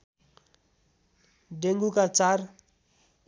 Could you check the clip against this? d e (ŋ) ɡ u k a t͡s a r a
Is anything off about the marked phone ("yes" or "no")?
no